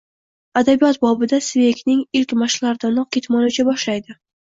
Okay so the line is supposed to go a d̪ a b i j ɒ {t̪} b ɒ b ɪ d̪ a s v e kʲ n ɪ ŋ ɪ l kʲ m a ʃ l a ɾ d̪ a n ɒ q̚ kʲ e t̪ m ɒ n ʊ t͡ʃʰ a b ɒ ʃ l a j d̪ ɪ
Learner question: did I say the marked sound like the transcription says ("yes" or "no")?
yes